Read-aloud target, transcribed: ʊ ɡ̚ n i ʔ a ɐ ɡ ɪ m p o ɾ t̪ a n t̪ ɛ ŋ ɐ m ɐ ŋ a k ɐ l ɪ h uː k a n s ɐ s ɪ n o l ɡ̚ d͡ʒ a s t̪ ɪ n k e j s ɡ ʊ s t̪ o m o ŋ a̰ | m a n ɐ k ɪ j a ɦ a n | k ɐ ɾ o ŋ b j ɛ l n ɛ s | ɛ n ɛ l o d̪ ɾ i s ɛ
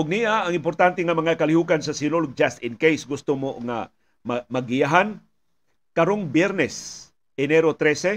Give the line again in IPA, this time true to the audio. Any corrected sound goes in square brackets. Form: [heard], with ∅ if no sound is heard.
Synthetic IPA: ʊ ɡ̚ n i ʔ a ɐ [ŋ] ɪ m p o ɾ t̪ a n t̪ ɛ ŋ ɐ m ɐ ŋ a k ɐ l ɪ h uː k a n s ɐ s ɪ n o l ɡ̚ d͡ʒ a s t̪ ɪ n k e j s ɡ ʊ s t̪ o m o ŋ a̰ | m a [m] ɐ [ɡ] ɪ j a ɦ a n | k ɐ ɾ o ŋ b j ɛ [ɾ] n ɛ s | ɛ n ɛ [ɾ] o [t̪] ɾ [ɛ] s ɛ